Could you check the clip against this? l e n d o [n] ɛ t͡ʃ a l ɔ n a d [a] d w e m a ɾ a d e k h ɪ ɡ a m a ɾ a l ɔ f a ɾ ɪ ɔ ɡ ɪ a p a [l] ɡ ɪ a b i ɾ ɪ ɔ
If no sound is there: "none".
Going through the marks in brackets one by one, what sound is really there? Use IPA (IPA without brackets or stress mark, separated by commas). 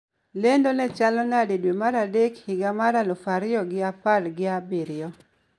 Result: n, e, l